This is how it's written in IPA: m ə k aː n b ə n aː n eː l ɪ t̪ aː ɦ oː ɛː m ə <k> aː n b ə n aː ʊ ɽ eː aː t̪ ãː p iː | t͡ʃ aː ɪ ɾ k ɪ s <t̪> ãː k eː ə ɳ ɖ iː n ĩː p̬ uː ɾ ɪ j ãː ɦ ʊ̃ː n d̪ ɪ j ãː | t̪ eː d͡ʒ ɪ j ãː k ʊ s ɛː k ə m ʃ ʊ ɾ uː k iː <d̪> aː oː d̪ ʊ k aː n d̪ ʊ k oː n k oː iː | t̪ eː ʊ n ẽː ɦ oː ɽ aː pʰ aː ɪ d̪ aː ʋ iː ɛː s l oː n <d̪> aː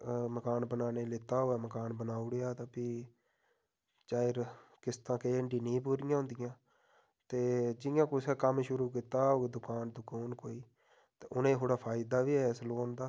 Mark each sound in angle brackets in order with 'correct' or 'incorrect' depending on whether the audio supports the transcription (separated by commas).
correct, correct, incorrect, correct